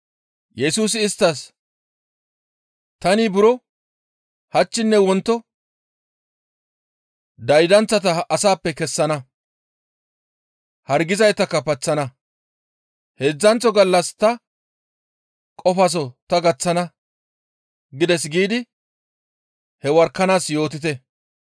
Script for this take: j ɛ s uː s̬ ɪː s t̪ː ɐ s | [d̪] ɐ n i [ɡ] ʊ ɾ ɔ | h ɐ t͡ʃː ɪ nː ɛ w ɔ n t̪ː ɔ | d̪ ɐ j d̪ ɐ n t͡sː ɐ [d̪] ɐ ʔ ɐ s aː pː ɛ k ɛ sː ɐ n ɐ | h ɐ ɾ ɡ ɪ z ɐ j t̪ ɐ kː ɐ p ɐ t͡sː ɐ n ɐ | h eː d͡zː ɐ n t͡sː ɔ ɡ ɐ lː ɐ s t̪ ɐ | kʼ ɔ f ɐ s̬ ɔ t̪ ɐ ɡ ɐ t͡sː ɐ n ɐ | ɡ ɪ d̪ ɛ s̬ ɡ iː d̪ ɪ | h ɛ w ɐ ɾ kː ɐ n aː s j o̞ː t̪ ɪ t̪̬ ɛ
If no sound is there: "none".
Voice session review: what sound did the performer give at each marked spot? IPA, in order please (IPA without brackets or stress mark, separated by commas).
t̪, b, t̪